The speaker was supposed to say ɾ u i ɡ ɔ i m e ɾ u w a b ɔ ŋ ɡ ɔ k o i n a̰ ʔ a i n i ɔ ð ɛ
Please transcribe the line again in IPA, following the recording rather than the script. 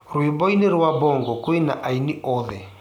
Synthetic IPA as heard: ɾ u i b ɔ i n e ɾ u w a b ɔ ŋ ɡ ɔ k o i n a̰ ʔ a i n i ɔ ð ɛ